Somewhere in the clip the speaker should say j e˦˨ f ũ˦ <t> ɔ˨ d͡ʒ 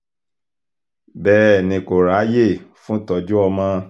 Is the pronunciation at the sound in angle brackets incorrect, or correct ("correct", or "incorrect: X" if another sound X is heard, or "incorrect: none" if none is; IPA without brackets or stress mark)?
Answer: correct